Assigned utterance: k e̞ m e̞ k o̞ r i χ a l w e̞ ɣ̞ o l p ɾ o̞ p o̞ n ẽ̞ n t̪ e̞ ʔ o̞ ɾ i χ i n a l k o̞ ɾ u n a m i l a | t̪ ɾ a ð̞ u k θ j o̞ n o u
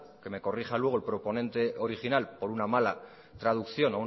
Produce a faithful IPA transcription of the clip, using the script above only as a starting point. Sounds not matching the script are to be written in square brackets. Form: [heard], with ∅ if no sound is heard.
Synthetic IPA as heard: k e̞ m e̞ k o̞ r i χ a l w e̞ ɣ̞ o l p ɾ o̞ p o̞ n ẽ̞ n t̪ e̞ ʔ o̞ ɾ i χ i n a l [p] o̞ ɾ u n a m [a] l a | t̪ ɾ a ð̞ u k θ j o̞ n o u